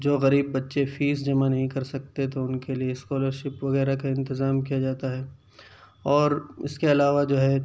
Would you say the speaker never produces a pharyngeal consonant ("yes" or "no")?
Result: yes